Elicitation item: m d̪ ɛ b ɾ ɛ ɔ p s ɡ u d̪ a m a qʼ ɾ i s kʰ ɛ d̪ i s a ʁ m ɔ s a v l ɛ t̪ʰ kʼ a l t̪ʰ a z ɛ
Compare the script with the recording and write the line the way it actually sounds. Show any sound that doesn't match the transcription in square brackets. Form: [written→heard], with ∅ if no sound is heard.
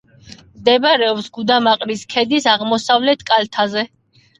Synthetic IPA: m d̪ ɛ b ɾ ɛ ɔ p s ɡ u d̪ a m a qʼ ɾ i s kʰ ɛ d̪ i s a ʁ m ɔ s a v l ɛ t̪ʰ kʼ a l t̪ʰ a z ɛ